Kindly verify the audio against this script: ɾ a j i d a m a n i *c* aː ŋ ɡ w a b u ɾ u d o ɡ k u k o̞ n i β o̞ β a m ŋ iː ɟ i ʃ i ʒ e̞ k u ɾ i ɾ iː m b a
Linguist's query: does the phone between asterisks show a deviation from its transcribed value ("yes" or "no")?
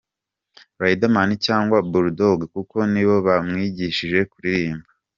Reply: no